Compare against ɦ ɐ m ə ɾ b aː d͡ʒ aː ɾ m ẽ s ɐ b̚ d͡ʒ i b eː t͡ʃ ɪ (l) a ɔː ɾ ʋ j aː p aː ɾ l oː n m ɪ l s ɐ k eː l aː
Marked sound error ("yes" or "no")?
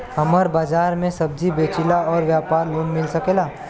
no